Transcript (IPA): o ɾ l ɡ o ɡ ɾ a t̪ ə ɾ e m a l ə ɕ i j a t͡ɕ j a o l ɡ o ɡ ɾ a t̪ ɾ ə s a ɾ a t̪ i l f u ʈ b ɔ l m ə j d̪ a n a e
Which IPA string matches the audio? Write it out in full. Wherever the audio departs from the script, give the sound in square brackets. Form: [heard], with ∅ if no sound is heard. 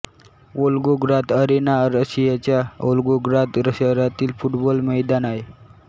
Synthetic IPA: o [∅] l ɡ o ɡ ɾ a t̪ ə ɾ e [n] a [ɾ] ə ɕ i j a t͡ɕ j a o l ɡ o ɡ ɾ a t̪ ɾ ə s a ɾ a t̪ [iː] l f u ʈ b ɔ l m ə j d̪ a n a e